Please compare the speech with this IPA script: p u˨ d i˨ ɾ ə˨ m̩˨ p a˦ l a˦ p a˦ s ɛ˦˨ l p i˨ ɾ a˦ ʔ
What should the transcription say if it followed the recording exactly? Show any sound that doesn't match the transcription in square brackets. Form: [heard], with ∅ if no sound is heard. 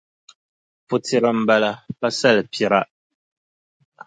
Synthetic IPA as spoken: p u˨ [t] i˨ ɾ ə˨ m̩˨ [b] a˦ l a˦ p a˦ s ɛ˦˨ l p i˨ ɾ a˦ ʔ